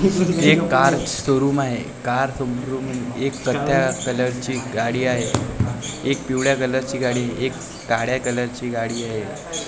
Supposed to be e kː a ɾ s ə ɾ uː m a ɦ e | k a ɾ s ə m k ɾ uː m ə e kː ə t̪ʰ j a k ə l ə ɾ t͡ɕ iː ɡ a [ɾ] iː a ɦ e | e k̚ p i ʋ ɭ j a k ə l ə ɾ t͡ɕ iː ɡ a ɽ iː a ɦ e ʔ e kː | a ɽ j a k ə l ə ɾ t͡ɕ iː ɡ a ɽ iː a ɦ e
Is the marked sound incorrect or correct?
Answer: incorrect